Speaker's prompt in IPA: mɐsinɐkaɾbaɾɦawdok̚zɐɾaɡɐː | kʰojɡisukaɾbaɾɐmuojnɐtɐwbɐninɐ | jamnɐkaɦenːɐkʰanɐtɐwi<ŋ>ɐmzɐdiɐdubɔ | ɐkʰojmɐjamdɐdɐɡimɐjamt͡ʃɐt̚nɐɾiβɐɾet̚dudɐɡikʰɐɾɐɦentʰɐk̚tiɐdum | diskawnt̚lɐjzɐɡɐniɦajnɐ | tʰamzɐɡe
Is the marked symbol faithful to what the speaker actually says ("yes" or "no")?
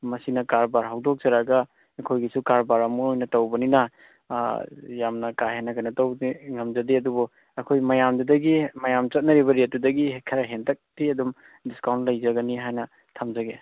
yes